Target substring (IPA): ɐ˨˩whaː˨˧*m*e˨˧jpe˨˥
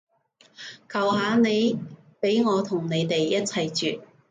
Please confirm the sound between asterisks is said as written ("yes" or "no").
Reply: no